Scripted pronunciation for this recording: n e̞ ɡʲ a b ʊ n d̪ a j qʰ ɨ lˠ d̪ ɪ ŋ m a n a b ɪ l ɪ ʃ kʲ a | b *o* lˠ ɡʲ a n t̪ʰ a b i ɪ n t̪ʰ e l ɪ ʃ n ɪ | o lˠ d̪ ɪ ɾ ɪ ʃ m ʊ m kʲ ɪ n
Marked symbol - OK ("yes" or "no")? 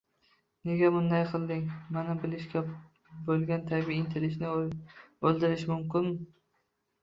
yes